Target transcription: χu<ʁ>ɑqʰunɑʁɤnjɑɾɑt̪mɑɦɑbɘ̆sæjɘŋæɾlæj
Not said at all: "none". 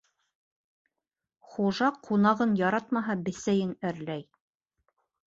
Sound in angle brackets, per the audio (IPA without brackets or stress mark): ʒ